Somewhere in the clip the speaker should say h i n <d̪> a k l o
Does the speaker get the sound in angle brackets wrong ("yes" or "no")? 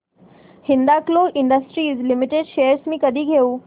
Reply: no